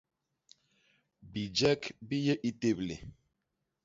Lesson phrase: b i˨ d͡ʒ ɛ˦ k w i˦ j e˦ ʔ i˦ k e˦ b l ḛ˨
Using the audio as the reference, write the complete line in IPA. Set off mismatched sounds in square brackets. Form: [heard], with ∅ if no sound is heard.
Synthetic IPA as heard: b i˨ d͡ʒ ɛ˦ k [b] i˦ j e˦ ʔ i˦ [t] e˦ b l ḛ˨

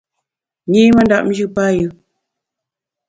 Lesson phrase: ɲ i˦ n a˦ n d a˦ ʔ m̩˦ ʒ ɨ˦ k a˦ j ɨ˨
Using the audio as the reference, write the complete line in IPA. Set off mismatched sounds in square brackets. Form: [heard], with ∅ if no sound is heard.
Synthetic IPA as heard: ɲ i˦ [m] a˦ n d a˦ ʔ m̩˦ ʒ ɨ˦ [p] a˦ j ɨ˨

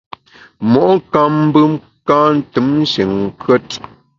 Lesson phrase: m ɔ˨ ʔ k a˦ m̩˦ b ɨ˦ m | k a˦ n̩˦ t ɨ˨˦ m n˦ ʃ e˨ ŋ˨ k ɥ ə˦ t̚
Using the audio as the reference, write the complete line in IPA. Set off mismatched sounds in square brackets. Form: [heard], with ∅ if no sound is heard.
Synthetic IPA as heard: m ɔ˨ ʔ k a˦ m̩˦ b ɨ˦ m | k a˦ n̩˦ t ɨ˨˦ m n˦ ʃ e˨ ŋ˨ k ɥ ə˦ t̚

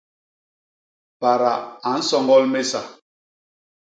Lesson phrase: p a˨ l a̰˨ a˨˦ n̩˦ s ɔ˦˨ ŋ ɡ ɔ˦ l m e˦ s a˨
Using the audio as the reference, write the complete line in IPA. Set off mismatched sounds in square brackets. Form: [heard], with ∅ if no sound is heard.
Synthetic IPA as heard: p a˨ [ɾ] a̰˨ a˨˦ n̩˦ s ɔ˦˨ ŋ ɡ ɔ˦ l m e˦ s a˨

